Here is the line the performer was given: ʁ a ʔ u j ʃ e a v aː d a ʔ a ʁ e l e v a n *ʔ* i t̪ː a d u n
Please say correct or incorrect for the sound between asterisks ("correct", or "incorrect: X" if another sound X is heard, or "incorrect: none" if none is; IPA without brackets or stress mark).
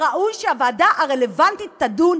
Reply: incorrect: t